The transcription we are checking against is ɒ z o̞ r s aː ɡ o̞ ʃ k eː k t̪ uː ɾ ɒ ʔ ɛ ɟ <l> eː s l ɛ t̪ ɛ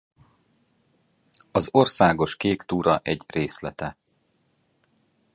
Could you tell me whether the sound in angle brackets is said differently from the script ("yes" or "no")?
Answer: yes